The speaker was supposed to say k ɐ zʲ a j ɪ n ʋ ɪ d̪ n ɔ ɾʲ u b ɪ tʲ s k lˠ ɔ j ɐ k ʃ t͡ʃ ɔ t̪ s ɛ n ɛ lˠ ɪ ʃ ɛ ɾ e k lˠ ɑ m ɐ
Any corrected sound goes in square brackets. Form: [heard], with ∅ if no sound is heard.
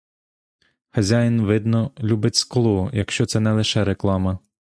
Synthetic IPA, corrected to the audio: [x] ɐ zʲ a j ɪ n ʋ ɪ d̪ n ɔ [lʲ] u b ɪ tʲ s k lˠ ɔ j ɐ k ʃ t͡ʃ ɔ t̪ s ɛ n ɛ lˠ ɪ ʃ ɛ ɾ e k lˠ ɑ m ɐ